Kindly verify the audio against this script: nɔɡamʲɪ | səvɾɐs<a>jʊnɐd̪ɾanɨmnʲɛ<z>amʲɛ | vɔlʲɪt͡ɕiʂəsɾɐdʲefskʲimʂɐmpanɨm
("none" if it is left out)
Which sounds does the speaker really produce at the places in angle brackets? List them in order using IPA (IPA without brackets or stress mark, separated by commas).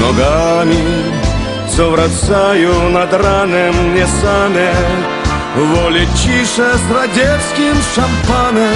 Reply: a, s